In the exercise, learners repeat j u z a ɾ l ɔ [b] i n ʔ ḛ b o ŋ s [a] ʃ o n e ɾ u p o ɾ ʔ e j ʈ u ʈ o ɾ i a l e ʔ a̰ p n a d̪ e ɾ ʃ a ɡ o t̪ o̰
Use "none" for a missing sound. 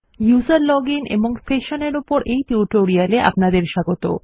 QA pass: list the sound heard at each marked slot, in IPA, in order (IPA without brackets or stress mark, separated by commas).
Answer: ɡ, e